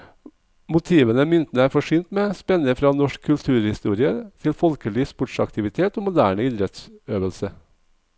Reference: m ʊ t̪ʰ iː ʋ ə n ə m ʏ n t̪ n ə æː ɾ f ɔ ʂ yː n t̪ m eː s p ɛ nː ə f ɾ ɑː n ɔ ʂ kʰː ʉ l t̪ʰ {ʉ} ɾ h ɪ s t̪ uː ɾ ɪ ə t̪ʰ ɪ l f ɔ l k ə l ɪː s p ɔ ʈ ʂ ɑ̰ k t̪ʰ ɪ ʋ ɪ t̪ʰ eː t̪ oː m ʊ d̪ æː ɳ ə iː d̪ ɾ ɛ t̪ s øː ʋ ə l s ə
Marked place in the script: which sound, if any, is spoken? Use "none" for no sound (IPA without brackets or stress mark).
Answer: ʉː